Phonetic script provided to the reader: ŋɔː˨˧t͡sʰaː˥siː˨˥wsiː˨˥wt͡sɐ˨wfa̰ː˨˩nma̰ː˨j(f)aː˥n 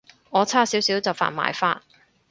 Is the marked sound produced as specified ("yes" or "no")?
yes